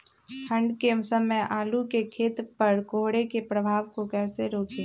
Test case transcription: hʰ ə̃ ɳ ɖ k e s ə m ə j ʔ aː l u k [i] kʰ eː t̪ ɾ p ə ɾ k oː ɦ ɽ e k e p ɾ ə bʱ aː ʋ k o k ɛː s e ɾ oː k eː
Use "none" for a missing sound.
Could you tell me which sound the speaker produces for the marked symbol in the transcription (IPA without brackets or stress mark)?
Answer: e